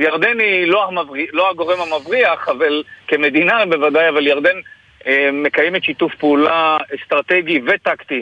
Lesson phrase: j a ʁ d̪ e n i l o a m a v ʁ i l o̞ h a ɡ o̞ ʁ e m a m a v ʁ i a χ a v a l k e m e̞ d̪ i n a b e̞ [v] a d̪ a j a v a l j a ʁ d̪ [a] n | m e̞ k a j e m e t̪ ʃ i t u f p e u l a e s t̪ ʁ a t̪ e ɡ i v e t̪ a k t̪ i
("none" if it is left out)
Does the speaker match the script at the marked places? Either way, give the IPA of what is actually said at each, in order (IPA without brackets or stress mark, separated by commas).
v, e